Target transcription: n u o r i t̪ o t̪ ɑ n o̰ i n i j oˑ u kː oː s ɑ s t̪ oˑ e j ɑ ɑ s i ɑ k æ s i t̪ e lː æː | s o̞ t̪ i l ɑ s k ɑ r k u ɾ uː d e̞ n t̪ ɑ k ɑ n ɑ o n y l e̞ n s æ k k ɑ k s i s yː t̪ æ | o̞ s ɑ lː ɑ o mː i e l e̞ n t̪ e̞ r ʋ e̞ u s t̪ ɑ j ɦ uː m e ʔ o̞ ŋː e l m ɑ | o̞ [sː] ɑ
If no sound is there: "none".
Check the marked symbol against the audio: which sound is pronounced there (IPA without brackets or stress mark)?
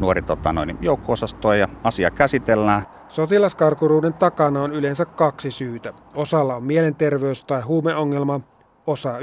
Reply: s